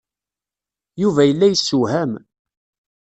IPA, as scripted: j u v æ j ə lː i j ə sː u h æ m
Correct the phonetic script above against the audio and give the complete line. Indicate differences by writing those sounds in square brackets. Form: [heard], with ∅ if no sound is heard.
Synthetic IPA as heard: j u v æ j ə lː [æ] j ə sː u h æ m